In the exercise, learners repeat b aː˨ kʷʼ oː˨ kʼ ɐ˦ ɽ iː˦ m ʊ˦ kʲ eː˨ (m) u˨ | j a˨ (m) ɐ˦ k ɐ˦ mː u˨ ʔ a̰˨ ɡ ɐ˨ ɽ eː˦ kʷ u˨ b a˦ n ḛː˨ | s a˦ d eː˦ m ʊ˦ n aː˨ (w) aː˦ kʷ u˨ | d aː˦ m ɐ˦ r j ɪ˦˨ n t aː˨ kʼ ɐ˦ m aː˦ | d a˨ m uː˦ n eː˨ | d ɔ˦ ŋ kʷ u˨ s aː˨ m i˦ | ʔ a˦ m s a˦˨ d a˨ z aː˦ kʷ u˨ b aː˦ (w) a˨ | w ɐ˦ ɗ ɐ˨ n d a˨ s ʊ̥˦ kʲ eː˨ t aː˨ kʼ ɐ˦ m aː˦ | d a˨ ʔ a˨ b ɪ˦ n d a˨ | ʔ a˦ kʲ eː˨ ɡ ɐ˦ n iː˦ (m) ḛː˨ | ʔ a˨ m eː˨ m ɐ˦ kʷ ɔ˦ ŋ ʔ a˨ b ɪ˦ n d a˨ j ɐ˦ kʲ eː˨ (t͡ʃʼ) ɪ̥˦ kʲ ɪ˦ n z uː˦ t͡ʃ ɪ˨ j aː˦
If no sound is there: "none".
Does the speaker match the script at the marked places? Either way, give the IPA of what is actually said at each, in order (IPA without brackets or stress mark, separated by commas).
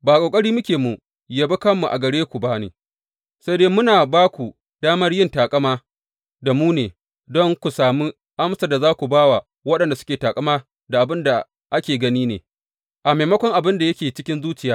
m, b, b, w, n, t͡ʃ